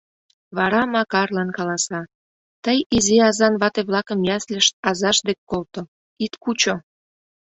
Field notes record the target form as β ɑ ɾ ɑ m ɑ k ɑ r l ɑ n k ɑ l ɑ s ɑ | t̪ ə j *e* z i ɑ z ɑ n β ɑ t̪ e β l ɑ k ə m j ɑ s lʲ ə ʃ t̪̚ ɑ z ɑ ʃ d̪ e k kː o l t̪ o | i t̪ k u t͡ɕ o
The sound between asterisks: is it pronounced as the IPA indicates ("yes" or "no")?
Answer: no